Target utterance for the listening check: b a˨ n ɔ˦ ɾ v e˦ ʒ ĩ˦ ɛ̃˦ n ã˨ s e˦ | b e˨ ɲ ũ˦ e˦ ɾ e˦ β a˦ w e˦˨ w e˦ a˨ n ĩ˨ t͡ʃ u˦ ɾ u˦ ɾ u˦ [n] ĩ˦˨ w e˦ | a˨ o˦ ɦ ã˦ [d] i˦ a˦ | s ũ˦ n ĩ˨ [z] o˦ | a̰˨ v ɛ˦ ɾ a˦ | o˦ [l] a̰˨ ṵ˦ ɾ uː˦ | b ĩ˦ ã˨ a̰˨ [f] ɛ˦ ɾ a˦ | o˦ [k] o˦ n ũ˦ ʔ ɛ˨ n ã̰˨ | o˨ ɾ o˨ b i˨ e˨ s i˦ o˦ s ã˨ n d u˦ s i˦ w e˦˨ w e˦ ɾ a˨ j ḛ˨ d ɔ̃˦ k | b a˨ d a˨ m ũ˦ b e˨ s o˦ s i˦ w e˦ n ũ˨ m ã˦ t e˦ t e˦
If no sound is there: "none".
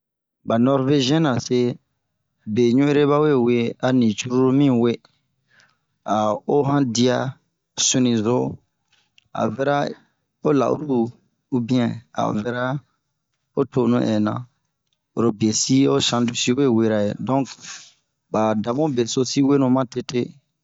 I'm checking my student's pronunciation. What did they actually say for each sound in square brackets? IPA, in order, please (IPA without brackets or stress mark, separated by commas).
m, d, z, l, v, t